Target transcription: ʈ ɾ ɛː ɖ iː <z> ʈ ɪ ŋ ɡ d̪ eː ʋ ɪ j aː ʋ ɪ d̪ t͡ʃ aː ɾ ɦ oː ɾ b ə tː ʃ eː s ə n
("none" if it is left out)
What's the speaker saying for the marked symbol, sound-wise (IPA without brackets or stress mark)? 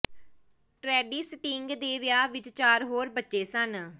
s